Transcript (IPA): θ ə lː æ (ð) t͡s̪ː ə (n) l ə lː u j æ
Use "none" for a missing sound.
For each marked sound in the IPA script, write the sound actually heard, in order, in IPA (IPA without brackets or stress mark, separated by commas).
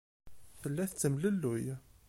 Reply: θ, m